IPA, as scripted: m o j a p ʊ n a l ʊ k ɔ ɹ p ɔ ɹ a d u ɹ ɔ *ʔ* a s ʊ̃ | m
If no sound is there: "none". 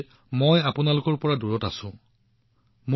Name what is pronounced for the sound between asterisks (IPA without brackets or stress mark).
t